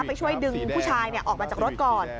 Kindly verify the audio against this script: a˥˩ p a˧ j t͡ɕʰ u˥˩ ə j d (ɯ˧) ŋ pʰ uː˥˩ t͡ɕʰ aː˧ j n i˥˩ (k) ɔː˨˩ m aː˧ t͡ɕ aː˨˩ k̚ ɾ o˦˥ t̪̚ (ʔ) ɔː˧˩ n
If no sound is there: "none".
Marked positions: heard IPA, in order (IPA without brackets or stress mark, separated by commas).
ɯ˧, ʔ, k